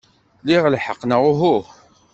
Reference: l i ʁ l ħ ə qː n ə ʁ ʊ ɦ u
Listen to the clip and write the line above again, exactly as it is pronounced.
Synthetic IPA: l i ʁ l ħ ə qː n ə ʁ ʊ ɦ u